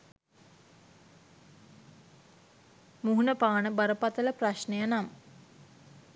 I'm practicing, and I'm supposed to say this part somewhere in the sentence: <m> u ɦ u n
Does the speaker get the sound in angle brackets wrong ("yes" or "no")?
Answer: no